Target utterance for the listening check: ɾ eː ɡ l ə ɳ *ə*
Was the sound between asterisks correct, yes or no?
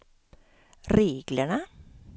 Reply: yes